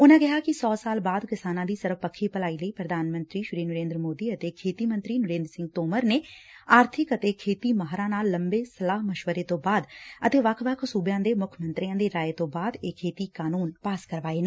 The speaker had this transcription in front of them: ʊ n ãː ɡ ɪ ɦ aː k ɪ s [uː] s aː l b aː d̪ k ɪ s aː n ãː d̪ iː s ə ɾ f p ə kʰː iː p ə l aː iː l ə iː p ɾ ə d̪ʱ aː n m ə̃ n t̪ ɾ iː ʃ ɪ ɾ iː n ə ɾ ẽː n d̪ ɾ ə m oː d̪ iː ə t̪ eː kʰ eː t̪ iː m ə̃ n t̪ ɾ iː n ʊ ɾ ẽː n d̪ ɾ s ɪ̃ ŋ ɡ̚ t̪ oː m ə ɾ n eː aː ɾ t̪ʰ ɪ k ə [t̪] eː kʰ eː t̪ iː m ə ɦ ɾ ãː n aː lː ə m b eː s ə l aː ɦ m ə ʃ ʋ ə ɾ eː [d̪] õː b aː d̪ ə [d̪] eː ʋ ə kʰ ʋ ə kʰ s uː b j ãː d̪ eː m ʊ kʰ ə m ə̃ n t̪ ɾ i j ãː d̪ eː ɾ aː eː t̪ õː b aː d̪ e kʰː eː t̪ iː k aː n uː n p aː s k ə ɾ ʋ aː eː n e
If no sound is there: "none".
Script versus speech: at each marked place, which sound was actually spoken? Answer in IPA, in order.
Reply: ɔː, t̪, t̪, t̪

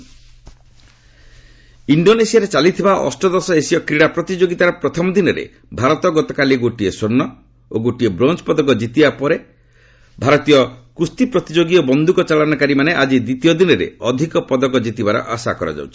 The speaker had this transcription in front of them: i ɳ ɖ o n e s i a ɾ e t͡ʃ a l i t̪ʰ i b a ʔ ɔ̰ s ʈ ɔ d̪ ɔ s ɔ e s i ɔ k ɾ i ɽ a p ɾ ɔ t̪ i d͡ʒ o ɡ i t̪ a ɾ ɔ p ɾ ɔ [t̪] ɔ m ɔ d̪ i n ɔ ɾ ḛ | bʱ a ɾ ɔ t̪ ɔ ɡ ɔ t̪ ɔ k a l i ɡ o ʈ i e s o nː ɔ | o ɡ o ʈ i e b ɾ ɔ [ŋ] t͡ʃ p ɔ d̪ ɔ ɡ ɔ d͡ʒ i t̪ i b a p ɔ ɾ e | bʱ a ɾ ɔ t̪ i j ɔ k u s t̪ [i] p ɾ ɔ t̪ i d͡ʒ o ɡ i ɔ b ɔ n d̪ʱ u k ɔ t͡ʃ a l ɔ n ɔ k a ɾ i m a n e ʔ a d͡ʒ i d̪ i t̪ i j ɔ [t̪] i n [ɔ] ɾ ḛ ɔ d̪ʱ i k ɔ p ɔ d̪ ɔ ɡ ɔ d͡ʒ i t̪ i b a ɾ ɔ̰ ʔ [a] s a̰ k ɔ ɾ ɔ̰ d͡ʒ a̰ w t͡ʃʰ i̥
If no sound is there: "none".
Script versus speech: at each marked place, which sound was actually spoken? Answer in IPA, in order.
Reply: t̪ʰ, n, i, d̪, ɔ, a

